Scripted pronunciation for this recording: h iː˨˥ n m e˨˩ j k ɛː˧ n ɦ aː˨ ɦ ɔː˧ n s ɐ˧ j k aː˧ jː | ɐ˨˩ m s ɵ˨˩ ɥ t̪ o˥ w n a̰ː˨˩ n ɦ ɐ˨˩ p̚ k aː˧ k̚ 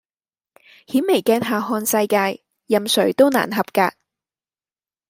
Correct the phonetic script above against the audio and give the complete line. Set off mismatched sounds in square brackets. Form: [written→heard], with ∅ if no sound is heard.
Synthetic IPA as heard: h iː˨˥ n m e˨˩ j k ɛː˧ n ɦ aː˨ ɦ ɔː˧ n s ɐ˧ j k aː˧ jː | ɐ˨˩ m s ɵ˨˩ ɥ t̪ o˥ w n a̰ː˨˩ n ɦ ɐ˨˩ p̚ k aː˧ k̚